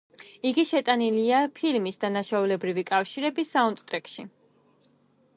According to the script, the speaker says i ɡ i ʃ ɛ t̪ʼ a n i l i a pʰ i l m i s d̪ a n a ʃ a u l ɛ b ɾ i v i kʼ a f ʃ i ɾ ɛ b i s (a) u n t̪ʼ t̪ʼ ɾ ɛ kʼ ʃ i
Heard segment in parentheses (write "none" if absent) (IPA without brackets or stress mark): a